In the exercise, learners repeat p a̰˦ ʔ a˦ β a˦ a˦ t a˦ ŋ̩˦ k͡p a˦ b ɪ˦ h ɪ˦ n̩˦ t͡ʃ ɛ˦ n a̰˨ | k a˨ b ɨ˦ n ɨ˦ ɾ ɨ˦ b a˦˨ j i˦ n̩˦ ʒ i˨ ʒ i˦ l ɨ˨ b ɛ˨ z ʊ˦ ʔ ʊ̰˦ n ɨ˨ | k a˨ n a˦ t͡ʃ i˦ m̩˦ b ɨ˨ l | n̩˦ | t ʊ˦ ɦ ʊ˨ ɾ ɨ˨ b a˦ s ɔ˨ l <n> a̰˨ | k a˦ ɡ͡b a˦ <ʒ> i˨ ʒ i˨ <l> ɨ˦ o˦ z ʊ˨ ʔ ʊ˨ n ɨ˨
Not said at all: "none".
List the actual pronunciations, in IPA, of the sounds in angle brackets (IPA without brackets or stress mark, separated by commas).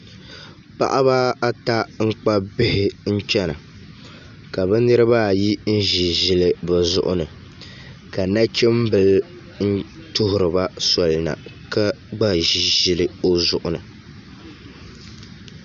n, ʒ, l